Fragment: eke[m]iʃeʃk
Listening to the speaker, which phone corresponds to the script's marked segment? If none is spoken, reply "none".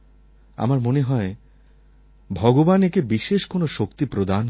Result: b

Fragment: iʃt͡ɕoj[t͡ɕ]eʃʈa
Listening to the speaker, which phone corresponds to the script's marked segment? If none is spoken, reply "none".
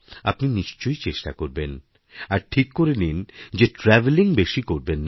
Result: t͡ɕ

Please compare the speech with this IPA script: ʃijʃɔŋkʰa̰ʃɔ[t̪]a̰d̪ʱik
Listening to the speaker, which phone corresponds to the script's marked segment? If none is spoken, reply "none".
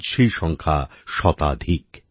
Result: t̪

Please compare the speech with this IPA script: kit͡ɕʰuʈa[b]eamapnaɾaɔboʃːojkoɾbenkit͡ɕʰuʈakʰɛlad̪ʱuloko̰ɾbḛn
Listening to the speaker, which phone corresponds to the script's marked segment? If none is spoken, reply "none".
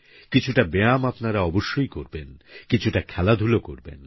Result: b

